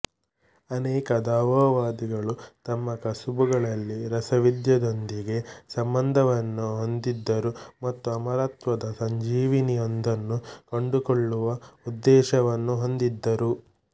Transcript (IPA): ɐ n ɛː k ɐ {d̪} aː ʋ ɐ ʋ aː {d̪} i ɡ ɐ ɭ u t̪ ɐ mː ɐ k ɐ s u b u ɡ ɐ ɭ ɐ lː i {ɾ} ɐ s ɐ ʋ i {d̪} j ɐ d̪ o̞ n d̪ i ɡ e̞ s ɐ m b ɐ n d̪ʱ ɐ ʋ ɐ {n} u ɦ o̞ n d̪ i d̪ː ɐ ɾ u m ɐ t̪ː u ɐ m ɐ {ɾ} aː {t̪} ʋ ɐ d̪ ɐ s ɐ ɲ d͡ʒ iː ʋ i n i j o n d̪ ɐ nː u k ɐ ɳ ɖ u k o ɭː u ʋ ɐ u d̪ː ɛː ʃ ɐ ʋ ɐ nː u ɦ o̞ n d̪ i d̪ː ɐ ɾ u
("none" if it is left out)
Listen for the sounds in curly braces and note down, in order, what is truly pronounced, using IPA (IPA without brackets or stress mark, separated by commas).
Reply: d̪, d̪, ɾ, d̪, nː, ɾ, t̪